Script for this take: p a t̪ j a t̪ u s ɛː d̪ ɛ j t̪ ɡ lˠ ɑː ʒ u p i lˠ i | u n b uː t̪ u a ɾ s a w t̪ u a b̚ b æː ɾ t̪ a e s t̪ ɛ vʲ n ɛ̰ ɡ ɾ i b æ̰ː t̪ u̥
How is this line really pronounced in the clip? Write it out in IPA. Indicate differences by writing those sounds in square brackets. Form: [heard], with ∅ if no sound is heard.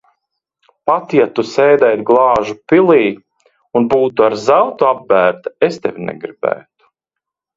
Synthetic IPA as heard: p a t̪ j a t̪ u s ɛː d̪ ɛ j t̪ ɡ lˠ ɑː ʒ u p i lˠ [iː] | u n b uː t̪ u a ɾ [z] a w t̪ u a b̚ b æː ɾ t̪ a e s t̪ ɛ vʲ n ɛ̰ ɡ ɾ i b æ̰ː t̪ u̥